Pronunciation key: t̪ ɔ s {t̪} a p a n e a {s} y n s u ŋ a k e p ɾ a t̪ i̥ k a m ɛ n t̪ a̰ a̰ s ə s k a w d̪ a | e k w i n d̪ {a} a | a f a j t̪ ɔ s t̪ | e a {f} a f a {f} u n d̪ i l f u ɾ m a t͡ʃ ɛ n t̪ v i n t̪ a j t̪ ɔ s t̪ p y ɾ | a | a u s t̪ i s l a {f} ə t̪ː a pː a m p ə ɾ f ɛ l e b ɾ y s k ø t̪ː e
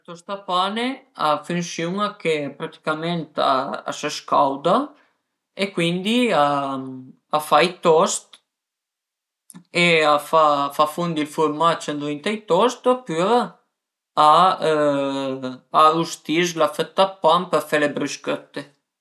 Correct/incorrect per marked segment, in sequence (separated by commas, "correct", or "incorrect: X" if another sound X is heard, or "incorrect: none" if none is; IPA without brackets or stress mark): correct, incorrect: f, incorrect: i, correct, correct, correct